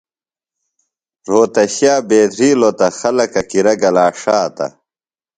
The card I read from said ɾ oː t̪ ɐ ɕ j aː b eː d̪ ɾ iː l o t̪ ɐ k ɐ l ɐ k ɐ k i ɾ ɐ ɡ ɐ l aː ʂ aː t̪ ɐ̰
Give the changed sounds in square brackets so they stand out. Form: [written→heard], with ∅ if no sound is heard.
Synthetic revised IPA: ɾ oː t̪ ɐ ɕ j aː b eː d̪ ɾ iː l o t̪ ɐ [k→x] ɐ l ɐ k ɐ k i ɾ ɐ ɡ ɐ l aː ʂ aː t̪ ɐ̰